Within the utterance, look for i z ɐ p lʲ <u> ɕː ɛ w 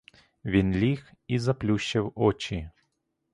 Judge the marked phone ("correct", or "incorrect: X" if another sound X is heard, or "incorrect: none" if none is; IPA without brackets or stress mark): correct